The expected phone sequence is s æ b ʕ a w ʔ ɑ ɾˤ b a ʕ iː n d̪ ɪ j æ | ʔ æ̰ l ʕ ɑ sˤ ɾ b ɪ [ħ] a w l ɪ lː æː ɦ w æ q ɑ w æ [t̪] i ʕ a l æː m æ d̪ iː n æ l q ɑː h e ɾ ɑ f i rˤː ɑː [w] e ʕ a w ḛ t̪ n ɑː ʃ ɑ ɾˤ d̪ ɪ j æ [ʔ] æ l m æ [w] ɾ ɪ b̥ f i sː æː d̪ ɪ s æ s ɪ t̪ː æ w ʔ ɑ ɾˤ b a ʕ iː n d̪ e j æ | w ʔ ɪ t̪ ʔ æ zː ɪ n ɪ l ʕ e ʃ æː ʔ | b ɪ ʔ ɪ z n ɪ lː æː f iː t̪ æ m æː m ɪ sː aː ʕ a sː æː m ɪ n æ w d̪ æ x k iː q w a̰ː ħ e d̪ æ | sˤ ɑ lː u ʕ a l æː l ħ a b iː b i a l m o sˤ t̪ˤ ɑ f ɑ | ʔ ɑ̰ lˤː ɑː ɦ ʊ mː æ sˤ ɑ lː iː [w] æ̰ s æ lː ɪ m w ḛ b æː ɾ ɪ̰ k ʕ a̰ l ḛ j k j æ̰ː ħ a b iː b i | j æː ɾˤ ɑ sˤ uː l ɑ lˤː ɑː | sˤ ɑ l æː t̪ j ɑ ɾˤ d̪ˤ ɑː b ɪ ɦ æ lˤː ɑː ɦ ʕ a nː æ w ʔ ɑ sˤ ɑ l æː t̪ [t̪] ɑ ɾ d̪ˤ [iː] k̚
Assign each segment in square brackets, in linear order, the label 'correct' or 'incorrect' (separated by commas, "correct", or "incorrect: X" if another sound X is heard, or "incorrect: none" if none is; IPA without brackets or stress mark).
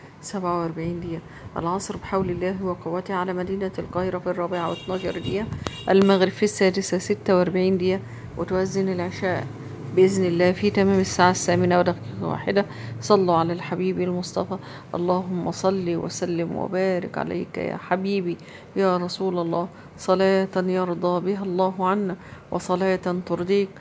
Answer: correct, correct, incorrect: b, correct, incorrect: ɣ, correct, correct, correct